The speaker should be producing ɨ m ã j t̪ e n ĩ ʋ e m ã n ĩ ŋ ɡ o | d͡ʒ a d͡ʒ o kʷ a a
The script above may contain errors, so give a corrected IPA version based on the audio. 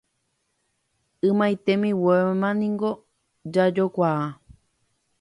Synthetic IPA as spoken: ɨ m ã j t̪ e m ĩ w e m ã n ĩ ŋ ɡ o | d͡ʒ a d͡ʒ o kʷ a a

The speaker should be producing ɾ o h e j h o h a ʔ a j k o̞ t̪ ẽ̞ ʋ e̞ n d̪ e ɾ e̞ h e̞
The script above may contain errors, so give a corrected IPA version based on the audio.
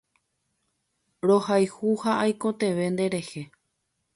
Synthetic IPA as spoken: ɾ o h a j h u h a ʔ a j k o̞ t̪ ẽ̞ ʋ e̞ n d̪ e ɾ e̞ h e̞

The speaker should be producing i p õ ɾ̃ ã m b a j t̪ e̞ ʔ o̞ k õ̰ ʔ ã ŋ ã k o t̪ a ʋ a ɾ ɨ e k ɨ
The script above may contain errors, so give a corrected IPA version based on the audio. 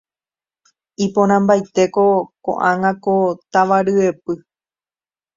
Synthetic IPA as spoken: i p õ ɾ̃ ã m b a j t̪ e̞ k o̞ k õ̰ ʔ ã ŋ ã k o t̪ a ʋ a ɾ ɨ e p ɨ

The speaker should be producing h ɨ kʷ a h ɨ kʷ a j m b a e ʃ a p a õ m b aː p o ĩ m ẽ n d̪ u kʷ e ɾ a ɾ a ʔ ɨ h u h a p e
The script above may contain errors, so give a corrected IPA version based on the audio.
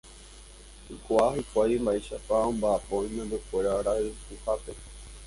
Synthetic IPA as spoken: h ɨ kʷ a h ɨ kʷ a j m b a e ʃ a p a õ m b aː p o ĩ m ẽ n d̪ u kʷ e ɾ a ɾ a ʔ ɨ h u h a p e

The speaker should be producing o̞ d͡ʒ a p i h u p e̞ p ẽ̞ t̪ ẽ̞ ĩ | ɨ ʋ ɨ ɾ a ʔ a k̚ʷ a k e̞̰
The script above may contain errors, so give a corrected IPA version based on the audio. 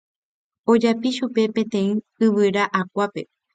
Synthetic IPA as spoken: o̞ d͡ʒ a p i ʃ u p e̞ p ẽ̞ t̪ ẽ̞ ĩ | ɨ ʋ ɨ ɾ a ʔ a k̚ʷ a p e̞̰

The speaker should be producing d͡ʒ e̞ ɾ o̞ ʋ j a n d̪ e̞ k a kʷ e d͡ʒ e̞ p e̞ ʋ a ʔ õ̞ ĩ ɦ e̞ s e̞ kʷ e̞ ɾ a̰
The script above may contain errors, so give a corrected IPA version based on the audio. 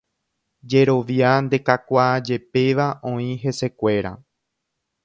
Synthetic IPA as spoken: d͡ʒ e̞ ɾ o̞ ʋ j a n d̪ e̞ k a kʷ a d͡ʒ e̞ p e̞ ʋ a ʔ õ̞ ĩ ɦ e̞ s e̞ kʷ e̞ ɾ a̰

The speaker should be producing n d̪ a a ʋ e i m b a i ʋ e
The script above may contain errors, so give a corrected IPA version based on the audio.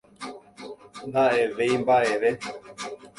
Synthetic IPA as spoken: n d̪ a e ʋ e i m b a e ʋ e

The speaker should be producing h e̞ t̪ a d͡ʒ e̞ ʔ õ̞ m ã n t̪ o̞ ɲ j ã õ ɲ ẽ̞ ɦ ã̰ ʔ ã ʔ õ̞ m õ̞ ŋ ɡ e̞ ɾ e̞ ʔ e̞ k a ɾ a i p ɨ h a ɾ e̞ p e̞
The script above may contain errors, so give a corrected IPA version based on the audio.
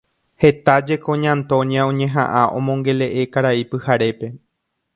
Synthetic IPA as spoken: h e̞ t̪ a d͡ʒ e̞ k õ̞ ɲ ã n t̪ o̞ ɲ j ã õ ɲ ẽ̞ ɦ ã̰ ʔ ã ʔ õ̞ m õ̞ ŋ ɡ e̞ l e̞ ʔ e̞ k a ɾ a i p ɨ h a ɾ e̞ p e̞

